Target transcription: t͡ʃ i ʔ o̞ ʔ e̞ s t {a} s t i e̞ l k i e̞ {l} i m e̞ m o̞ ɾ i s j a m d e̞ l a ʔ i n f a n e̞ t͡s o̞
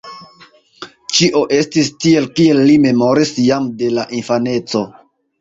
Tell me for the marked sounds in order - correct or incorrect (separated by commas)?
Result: incorrect, incorrect